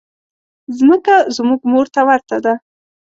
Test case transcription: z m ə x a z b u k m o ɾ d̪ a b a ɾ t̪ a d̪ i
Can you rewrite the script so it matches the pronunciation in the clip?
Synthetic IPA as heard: z m ə k a z m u ɡ m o ɾ t̪ a w a ɾ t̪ a d̪ a